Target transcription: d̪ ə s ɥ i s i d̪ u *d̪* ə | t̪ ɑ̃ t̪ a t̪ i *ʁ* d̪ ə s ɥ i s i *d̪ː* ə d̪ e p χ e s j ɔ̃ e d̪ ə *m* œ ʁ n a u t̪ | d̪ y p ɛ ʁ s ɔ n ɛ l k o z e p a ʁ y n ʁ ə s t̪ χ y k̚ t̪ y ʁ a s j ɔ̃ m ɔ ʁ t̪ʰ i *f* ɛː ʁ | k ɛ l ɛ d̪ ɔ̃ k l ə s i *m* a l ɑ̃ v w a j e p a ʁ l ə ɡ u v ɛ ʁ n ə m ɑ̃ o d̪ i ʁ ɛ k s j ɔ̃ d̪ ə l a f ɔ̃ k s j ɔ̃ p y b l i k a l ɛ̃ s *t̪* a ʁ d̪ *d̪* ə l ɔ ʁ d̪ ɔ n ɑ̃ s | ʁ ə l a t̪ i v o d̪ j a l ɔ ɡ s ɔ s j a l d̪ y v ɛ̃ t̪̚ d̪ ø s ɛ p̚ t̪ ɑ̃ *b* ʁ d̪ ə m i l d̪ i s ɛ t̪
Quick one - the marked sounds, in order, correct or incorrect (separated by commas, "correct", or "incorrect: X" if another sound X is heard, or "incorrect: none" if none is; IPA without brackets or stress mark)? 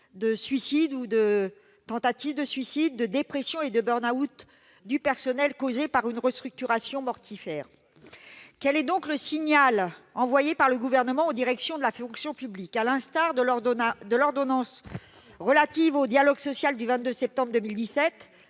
correct, incorrect: v, correct, incorrect: b, correct, incorrect: ɲ, correct, correct, correct